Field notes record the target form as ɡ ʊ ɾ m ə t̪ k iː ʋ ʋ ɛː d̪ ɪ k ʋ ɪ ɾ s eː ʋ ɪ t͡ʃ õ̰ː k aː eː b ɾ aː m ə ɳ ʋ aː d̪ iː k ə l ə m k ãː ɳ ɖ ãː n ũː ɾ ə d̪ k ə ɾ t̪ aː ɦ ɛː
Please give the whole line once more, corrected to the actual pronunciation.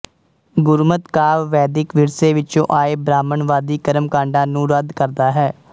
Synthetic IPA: ɡ ʊ ɾ m ə t̪ k aː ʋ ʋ ɛː d̪ ɪ k ʋ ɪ ɾ s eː ʋ ɪ t͡ʃ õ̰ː ʔ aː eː b ɾ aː m ə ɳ ʋ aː d̪ iː k ə ɾ ə m k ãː ɳ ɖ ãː n ũː ɾ ə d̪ k ə ɾ d̪ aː ɦ ɛː

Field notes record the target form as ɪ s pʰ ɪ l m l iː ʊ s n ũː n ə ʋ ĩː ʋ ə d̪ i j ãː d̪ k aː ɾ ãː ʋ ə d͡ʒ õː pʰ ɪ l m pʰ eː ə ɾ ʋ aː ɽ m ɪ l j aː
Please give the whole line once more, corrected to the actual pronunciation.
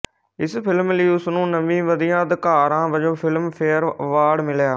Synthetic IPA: ɪ s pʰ ɪ l m l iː ʊ s n ũː n ə ʋ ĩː ʋ ə d̪ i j ãː d̪ k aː ɾ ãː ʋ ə d͡ʒ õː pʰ ɪ l m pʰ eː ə ɾ ʋ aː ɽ m ɪ l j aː

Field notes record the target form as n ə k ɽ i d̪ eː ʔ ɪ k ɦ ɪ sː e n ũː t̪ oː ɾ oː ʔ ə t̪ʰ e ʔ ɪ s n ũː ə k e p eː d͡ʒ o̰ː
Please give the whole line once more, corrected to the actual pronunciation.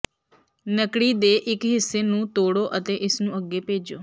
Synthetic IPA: n ə k ɽ i d̪ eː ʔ ɪ k ɦ ɪ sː e n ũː t̪ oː ɽ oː ʔ ə t̪ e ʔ ɪ s n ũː ə ɡ e p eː d͡ʒ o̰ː

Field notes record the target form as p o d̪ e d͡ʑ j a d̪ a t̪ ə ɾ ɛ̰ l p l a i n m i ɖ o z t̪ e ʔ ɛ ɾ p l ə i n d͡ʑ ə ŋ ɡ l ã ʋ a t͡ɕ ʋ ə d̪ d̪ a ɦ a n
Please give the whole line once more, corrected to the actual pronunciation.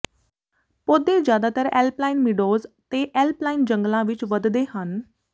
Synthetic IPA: p o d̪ e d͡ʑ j a d̪ a t̪ ə ɾ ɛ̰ l p l a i n m i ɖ o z t̪ e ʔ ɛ l p l a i n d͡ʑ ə ŋ ɡ l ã ʋ i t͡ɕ ʋ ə d̪ d̪ e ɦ a n

